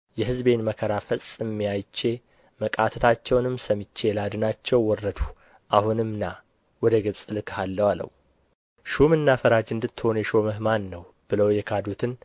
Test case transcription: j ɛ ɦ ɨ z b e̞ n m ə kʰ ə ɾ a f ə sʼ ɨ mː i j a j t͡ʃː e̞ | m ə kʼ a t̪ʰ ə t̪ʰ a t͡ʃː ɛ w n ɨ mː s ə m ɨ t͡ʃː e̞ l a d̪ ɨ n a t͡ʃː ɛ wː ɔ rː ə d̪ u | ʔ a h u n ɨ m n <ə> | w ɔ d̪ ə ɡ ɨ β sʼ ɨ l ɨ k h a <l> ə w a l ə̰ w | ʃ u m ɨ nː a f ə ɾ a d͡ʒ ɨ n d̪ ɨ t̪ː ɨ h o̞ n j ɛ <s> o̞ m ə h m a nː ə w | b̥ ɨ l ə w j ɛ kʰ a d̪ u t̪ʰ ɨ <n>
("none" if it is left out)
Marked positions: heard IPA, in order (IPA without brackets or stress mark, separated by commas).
a, lː, ʃ, n